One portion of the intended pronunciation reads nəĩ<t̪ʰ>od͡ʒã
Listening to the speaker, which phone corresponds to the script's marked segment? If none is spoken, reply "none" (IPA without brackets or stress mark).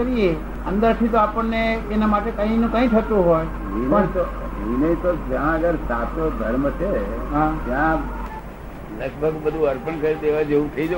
t̪